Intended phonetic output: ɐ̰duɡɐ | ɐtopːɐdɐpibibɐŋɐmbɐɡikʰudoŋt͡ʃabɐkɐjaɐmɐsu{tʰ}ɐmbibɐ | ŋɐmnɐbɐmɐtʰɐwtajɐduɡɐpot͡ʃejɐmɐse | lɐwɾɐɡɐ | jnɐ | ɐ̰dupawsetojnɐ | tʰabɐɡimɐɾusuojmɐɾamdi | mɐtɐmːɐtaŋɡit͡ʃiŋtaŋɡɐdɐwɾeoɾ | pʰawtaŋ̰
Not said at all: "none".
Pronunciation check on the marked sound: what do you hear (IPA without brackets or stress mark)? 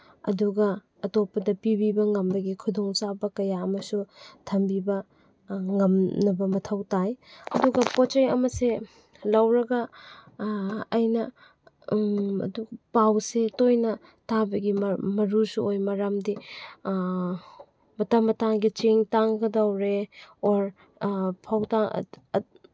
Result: tʰ